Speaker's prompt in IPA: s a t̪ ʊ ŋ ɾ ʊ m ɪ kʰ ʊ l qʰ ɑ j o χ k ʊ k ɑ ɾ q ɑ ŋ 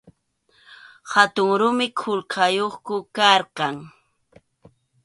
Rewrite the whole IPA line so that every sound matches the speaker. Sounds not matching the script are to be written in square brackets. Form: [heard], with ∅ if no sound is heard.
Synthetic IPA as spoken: [h] a t̪ ʊ ŋ ɾ ʊ m ɪ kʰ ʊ l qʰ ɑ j o χ k ʊ k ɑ ɾ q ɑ ŋ